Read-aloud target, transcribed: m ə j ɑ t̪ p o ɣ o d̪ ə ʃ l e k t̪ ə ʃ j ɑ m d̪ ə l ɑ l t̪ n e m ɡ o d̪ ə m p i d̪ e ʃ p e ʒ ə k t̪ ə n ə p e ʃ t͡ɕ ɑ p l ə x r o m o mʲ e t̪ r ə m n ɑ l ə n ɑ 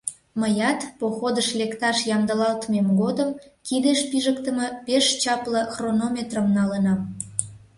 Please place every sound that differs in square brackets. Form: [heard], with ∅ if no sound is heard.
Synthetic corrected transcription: m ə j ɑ t̪ p o [x] o d̪ ə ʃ l e k t̪ [ɑ] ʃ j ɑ m d̪ ə l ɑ l t̪ [m] e m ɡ o d̪ ə m [k] i d̪ e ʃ p [i] ʒ ə k t̪ ə [m] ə p e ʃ t͡ɕ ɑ p l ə x r o [n] o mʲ e t̪ r ə m n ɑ l ə n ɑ